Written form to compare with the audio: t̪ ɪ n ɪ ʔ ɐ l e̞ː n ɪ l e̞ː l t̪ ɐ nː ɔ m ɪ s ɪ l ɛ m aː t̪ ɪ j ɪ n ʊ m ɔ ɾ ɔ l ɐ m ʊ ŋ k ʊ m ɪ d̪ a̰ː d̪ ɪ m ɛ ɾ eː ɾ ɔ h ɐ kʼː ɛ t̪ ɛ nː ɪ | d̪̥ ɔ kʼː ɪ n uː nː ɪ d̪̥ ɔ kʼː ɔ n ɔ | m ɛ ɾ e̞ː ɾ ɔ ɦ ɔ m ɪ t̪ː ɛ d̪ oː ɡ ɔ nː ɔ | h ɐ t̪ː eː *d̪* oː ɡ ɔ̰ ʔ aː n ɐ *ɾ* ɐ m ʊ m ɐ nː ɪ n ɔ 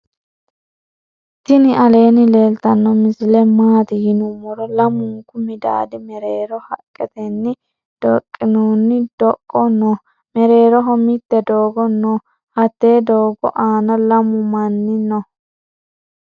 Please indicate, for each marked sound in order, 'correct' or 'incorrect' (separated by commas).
correct, incorrect